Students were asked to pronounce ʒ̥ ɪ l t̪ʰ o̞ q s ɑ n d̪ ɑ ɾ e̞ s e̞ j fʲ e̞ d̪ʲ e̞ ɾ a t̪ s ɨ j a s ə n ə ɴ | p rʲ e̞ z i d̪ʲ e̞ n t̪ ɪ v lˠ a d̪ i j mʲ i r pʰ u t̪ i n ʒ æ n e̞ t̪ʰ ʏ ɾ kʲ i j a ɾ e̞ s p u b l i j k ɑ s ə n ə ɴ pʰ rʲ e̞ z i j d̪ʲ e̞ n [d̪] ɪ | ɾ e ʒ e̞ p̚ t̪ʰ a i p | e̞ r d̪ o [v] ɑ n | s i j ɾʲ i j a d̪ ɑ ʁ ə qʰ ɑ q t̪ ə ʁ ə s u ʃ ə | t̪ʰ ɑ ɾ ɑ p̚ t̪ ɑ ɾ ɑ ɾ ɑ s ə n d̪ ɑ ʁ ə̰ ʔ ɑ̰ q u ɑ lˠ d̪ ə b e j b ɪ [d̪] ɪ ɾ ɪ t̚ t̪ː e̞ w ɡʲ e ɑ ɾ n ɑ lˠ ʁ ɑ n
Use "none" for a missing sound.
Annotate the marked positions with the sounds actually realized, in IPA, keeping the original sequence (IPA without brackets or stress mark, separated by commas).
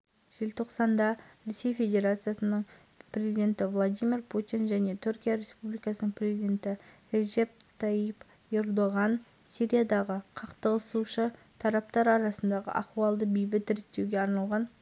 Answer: t̪, ʁ, t̪